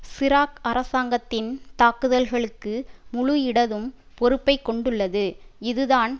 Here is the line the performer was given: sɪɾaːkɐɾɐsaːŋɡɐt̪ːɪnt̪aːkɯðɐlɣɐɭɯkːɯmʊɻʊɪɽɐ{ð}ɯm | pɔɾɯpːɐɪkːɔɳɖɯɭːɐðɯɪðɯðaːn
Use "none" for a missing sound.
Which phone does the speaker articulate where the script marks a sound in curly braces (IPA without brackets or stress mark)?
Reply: ð